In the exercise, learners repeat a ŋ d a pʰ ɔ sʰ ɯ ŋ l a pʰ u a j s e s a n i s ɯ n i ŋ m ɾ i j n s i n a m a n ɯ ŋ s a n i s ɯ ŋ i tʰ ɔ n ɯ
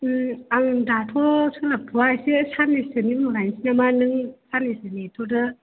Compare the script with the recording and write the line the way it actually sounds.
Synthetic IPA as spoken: a ŋ d a tʰ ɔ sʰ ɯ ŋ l a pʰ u a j s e s a n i s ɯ n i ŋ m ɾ a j n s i n a m a n ɯ ŋ s a n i s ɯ n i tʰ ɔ d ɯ

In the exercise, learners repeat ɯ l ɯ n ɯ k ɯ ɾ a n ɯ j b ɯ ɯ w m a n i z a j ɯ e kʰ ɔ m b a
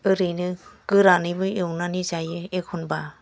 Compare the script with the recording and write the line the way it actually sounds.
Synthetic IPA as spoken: ɯ ɾ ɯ n ɯ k ɯ ɾ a n ɯ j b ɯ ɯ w n a n i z a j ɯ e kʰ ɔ n b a

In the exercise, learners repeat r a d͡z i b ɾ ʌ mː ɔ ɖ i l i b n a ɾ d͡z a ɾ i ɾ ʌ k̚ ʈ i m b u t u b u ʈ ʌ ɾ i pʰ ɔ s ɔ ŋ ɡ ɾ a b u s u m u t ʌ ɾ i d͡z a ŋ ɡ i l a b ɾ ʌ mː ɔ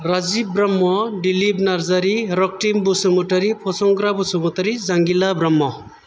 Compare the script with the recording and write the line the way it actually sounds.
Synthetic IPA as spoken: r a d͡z i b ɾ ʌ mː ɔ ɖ i l i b n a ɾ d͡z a ɾ i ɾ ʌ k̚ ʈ i m b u s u m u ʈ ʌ ɾ i pʰ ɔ s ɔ ŋ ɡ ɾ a b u s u m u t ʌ ɾ i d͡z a ŋ ɡ i l a b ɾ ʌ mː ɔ

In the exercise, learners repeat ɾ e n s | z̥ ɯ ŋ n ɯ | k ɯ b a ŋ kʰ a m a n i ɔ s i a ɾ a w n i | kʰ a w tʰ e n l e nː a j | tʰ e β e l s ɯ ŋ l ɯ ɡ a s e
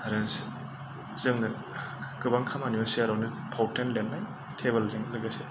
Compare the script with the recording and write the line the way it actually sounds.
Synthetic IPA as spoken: ɾ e n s | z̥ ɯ ŋ n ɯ | k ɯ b a ŋ kʰ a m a n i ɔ s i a ɾ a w n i | pʰ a w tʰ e n l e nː a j | tʰ e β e l z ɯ ŋ l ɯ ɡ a s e

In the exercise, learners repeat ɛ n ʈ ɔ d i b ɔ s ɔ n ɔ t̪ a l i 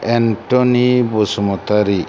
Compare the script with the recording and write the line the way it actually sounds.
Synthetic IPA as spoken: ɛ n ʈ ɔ n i b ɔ s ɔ m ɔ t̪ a ɾ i

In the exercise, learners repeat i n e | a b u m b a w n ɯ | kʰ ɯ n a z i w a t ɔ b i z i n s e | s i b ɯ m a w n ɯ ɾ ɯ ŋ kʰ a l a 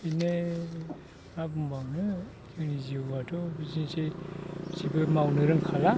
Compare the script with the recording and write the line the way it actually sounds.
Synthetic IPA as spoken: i n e | a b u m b a w n ɯ | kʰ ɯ n i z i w a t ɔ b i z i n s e | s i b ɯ m a w n ɯ ɾ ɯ ŋ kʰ a l a

